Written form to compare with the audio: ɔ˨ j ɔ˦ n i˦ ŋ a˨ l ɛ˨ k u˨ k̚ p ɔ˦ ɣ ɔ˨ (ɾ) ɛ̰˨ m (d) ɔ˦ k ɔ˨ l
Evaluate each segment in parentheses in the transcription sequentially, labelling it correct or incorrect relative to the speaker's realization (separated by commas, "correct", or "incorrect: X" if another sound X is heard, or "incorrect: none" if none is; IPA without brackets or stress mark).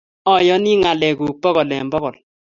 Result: incorrect: l, incorrect: b